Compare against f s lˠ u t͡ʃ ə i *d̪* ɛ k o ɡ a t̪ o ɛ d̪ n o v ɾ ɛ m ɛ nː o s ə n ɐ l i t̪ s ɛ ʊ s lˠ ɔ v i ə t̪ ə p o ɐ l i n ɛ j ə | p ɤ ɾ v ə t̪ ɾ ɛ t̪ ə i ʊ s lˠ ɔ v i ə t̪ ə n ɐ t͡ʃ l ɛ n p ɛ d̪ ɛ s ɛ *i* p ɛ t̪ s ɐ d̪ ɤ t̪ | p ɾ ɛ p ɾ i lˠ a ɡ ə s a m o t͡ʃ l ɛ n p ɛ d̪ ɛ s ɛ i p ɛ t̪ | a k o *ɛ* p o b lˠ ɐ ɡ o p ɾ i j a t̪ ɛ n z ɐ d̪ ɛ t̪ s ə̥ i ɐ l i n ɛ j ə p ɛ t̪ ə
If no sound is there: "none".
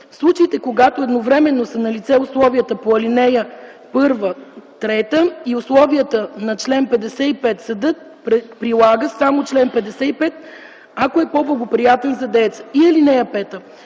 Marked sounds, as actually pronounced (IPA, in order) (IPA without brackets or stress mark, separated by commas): t̪, i, ɛ